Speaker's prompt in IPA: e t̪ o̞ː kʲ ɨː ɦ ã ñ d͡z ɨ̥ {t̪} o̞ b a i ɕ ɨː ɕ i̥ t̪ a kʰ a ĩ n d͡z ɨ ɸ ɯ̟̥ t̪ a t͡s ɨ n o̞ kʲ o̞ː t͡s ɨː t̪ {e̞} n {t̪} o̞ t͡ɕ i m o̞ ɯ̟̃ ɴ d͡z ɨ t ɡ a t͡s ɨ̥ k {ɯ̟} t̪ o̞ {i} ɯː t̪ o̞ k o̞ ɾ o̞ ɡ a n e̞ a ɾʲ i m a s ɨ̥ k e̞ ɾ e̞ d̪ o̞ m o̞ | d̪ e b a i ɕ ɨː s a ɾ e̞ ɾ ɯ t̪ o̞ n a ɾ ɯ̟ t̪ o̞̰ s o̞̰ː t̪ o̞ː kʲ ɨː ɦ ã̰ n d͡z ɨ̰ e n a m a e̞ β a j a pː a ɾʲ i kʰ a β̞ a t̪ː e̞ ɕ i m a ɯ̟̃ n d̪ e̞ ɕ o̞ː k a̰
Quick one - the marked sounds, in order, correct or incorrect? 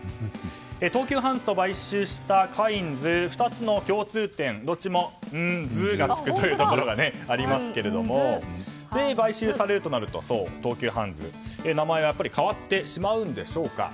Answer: correct, incorrect: ẽ̞, incorrect: d̪, correct, incorrect: j

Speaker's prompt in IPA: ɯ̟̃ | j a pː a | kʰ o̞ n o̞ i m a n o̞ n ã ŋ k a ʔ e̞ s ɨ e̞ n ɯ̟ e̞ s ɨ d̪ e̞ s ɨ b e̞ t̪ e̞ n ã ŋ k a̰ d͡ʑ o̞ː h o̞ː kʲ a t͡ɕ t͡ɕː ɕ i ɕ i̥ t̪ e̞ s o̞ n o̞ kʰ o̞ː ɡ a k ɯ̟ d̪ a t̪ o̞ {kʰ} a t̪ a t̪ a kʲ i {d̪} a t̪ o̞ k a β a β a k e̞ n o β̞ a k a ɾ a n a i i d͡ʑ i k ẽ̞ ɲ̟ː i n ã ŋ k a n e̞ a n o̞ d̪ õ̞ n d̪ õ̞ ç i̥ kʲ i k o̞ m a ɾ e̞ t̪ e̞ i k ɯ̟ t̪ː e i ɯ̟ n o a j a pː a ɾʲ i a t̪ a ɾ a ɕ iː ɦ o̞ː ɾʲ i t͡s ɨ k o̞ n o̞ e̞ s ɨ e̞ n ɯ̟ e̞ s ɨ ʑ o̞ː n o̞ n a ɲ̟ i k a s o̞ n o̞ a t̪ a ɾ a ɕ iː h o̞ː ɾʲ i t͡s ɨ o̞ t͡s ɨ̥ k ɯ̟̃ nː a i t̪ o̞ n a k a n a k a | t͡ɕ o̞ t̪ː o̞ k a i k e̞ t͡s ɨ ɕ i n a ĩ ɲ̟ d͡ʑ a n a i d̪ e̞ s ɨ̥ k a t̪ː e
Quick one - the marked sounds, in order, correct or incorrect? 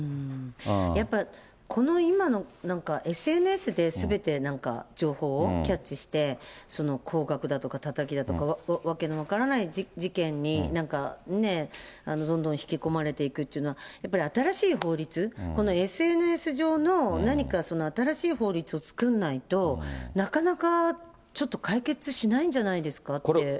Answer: incorrect: k, correct

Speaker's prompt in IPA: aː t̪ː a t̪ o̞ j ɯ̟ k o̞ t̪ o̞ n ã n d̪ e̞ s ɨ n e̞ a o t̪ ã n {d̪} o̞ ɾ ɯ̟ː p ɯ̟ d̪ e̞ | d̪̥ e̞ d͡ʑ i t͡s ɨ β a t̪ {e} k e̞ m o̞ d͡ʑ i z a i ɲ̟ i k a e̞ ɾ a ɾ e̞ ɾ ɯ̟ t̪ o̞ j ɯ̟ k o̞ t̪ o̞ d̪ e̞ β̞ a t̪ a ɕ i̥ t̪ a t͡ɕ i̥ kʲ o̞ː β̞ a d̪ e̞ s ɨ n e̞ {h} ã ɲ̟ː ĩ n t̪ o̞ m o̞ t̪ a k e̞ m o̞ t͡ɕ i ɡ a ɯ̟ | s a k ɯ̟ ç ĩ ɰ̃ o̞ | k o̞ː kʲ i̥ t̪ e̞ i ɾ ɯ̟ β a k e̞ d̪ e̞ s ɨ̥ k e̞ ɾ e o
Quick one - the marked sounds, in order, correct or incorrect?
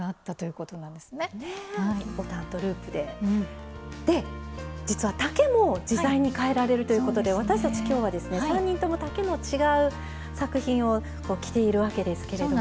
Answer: incorrect: t̪, incorrect: a, incorrect: s

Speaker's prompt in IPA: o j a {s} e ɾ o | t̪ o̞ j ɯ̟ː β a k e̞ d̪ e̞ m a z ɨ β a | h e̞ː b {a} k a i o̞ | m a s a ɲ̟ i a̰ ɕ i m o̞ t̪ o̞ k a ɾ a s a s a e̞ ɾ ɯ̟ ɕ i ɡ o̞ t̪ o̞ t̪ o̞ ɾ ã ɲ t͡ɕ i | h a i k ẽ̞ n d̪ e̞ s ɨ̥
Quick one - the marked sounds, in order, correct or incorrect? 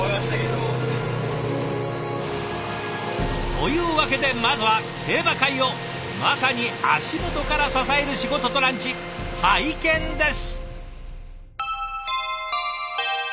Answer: correct, correct

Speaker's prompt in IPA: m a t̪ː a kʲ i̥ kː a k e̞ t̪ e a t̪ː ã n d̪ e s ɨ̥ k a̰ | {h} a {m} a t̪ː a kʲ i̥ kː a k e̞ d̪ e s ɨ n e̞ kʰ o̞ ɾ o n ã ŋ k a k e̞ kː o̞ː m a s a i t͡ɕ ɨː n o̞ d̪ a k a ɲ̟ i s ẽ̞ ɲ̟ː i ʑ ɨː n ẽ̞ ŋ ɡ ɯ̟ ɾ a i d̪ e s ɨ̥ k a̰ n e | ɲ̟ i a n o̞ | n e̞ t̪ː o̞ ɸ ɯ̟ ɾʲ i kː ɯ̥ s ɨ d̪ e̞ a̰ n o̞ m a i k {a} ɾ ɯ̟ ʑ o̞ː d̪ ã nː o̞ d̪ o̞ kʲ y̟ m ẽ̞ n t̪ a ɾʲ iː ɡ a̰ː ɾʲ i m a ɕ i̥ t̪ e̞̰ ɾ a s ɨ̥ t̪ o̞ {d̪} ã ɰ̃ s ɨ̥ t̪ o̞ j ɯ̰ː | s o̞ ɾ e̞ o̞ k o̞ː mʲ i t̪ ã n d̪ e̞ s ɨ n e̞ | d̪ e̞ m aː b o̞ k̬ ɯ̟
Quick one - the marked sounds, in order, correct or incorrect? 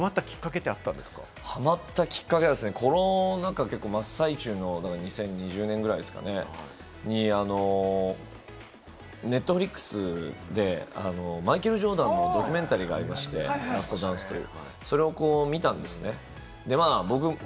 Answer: correct, correct, incorrect: e, correct

